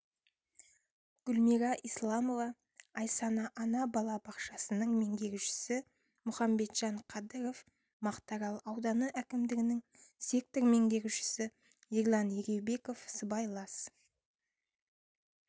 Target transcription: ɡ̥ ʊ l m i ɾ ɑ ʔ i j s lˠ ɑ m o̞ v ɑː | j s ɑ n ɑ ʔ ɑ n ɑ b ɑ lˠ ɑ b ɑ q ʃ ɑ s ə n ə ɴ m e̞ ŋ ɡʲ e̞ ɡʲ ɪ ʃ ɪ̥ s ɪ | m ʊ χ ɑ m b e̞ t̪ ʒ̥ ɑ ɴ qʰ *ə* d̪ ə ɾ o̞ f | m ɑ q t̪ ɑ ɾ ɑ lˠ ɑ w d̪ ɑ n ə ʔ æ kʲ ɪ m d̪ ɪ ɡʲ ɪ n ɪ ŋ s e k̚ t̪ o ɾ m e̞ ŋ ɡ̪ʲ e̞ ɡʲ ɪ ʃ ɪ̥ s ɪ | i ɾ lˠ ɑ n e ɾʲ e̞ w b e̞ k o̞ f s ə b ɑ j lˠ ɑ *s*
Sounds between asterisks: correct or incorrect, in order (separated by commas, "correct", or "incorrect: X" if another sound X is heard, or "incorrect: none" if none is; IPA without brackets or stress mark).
incorrect: ɑ, correct